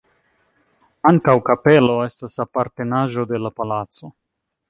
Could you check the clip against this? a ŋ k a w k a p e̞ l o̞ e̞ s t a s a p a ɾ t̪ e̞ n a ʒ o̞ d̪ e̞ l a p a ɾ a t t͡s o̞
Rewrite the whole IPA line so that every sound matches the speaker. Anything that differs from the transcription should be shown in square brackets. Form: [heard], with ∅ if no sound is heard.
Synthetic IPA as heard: a ŋ k a w k a p e̞ l o̞ e̞ s t a s a p a ɾ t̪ e̞ n a ʒ o̞ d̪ e̞ l a p a [l] a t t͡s o̞

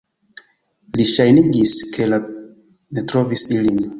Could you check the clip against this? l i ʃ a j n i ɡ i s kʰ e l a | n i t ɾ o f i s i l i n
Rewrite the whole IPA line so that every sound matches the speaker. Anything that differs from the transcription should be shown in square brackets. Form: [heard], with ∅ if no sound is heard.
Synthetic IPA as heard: l i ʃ a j n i ɡ i s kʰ e l a | n [e] t ɾ o [v] i s i l i n

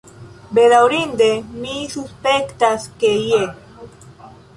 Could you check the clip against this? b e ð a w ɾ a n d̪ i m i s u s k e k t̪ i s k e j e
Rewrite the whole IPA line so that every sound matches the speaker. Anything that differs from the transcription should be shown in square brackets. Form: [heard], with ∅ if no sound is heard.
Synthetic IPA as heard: b e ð a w ɾ [i] n d̪ [e] m i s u s [p] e k t̪ [a] s k e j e

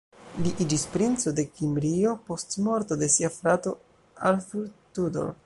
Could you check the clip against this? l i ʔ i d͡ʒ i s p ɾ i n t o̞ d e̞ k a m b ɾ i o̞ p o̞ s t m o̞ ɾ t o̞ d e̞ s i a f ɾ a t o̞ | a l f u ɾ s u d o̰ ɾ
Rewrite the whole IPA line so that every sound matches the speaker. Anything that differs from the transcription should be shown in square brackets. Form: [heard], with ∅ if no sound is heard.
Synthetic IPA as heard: l i ʔ i d͡ʒ i s p ɾ i n [t͡s] o̞ d e̞ k [i] m b ɾ i o̞ p o̞ s t m o̞ ɾ t o̞ d e̞ s i a f ɾ a t o̞ | a l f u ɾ [t] u d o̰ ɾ

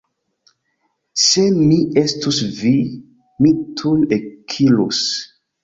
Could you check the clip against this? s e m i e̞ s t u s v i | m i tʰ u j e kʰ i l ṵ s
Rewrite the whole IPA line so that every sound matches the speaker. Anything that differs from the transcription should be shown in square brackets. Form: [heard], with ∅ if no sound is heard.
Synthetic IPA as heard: s e m i e̞ s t u s v i | m i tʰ u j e kʰ i l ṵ s

